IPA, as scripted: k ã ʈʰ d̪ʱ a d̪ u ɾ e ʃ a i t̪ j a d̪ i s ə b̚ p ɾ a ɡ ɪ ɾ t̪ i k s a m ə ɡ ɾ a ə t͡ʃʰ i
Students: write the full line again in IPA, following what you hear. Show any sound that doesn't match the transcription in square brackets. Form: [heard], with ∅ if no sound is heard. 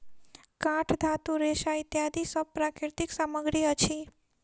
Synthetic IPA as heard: k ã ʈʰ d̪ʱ a [t̪] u ɾ e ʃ a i t̪ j a d̪ i s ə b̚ p ɾ a [k] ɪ ɾ t̪ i k s a m ə ɡ ɾ [i] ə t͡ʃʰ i